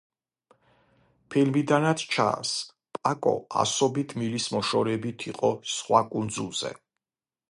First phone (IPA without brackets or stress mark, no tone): pʰ